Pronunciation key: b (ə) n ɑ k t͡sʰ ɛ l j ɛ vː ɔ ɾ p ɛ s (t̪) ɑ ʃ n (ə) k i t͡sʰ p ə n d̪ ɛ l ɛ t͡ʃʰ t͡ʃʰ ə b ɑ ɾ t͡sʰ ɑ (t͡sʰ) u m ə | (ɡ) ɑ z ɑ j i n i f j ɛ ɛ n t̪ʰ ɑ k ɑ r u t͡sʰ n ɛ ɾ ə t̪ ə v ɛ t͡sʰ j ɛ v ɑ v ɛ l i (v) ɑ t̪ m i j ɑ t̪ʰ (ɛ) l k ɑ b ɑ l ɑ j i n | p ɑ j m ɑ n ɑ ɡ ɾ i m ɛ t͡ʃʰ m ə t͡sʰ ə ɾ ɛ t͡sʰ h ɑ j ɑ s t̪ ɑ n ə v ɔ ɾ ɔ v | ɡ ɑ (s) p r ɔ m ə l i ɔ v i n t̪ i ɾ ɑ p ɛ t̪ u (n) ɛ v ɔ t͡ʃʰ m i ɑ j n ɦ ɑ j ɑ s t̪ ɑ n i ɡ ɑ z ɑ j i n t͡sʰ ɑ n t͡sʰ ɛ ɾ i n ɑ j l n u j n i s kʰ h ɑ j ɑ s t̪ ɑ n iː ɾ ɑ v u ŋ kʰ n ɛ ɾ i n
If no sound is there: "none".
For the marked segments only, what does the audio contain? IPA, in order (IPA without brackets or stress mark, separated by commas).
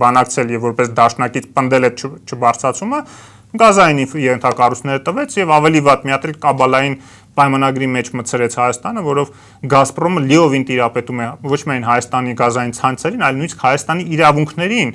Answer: ɑ, d̪, ɑ, t͡sʰ, ɡ, v, ɛ, s, m